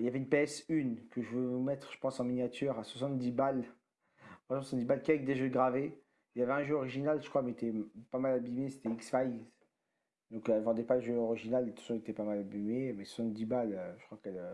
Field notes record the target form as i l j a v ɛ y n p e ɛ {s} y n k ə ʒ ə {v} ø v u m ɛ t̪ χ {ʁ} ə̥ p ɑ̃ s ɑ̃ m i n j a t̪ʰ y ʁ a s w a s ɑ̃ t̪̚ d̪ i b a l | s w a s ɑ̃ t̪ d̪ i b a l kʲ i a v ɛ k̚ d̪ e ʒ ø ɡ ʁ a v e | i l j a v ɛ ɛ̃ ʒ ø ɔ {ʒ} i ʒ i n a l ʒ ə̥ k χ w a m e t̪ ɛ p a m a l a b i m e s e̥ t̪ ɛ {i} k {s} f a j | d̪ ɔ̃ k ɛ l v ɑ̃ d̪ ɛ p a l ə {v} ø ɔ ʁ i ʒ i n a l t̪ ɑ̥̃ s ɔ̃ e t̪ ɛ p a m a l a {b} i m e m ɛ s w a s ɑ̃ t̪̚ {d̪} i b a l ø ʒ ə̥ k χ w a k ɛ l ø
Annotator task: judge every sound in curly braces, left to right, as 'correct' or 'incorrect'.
correct, correct, incorrect: ʒ, incorrect: ʁ, correct, correct, incorrect: ʒ, correct, correct

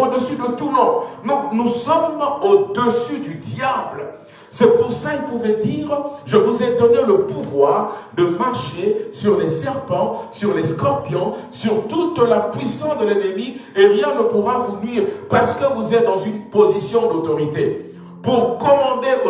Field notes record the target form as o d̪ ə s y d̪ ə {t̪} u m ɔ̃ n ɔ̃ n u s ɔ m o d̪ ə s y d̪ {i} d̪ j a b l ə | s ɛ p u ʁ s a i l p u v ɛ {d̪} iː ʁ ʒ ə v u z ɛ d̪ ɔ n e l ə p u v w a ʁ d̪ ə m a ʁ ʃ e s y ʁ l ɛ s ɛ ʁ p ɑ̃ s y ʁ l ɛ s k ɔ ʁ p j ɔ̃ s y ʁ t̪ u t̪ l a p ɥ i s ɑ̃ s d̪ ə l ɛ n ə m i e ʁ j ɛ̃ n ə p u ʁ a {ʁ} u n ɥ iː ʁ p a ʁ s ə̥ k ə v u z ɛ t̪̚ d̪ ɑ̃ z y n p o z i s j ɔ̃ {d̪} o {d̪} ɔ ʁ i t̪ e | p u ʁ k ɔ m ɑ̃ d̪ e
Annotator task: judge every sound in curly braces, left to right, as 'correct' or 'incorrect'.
correct, incorrect: y, correct, incorrect: v, correct, incorrect: t̪

